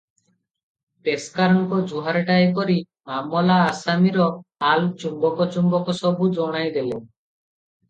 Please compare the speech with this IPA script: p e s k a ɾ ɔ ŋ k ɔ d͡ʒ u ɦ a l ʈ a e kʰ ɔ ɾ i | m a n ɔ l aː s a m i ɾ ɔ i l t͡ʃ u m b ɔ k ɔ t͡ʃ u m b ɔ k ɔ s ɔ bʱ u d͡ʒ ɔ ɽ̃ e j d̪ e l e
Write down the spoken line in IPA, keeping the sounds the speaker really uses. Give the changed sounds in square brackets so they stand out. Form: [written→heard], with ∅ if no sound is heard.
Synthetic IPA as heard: p e s k a ɾ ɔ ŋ k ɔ d͡ʒ u ɦ a [l→ɾ] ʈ a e [kʰ→k] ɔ ɾ i | m a [n→m] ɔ l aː s a m i ɾ ɔ [i→a] l t͡ʃ u m b ɔ k ɔ t͡ʃ u m b ɔ k ɔ s ɔ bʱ u d͡ʒ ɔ ɽ̃ [e→a] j d̪ e l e